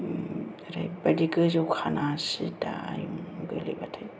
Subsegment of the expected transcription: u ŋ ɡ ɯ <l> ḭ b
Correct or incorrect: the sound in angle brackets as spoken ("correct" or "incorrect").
correct